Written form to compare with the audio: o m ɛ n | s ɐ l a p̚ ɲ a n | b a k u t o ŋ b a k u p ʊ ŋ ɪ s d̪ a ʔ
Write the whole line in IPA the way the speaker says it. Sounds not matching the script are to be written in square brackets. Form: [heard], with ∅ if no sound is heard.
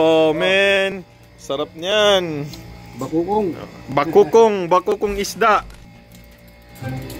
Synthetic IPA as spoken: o m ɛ n | s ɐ [ɾ] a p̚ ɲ a n | b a k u [k] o ŋ b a k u [k] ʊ ŋ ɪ s d̪ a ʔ